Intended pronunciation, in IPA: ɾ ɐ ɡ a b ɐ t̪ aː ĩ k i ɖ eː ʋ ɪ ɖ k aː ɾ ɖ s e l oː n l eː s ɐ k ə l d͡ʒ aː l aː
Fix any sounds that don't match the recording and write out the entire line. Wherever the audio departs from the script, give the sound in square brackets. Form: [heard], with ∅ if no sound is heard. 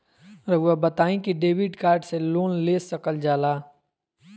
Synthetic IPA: ɾ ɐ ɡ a b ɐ t̪ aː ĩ k i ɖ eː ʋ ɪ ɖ k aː ɾ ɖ s e l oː n l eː s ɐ k ə l d͡ʒ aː l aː